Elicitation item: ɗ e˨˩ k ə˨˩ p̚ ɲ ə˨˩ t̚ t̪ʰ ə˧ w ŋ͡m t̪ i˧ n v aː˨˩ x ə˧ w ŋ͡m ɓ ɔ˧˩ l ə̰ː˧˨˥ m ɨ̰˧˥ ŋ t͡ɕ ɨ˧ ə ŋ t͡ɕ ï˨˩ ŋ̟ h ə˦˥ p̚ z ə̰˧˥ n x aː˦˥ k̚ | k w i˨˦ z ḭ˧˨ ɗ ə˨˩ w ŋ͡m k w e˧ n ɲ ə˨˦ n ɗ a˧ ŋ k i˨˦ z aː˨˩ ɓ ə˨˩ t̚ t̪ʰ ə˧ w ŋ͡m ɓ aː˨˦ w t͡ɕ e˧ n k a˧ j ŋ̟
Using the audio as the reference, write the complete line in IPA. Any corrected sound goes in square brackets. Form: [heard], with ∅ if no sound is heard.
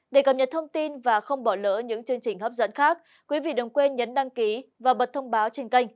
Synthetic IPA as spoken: ɗ e˨˩ k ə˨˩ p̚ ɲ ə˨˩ t̚ t̪ʰ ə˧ w ŋ͡m t̪ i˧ n v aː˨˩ x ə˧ w ŋ͡m ɓ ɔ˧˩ l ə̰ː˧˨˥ [ɲ] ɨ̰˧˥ ŋ t͡ɕ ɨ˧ ə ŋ t͡ɕ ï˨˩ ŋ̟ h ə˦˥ p̚ z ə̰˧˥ n x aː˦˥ k̚ | k w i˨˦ [v] ḭ˧˨ ɗ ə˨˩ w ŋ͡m k w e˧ n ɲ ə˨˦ n ɗ a˧ ŋ k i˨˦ [v] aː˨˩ ɓ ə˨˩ t̚ t̪ʰ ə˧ w ŋ͡m ɓ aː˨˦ w t͡ɕ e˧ n k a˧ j ŋ̟